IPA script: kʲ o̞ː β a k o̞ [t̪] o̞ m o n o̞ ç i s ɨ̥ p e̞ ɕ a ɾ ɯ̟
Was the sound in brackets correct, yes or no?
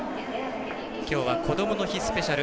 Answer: no